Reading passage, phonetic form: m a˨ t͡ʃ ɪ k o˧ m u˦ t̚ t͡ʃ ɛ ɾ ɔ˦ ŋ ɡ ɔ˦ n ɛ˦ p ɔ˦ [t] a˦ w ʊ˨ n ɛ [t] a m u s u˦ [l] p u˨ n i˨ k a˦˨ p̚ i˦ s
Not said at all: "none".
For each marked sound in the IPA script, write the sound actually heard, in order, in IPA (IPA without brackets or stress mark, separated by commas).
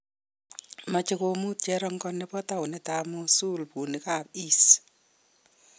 t, t, l